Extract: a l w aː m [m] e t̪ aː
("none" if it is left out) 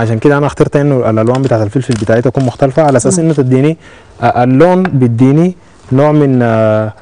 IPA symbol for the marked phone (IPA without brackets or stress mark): b